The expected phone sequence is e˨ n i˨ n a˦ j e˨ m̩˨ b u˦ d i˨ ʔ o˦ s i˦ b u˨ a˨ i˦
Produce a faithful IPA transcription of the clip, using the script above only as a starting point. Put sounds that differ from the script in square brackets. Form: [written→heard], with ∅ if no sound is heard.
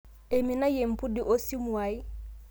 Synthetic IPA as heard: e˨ [n→m] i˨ n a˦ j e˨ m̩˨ [b→p] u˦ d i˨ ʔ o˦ s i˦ [b→m] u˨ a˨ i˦